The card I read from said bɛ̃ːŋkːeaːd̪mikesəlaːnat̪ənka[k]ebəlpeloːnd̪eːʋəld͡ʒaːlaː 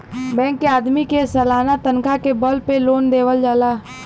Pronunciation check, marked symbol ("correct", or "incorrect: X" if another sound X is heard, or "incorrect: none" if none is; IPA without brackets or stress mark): correct